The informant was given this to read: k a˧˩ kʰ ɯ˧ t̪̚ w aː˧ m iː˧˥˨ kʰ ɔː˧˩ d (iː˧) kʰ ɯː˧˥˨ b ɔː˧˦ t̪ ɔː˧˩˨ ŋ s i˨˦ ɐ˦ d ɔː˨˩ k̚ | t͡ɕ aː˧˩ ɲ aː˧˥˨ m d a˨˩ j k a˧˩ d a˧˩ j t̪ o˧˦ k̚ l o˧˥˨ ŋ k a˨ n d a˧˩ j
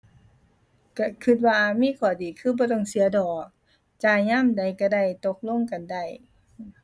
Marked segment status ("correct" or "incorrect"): incorrect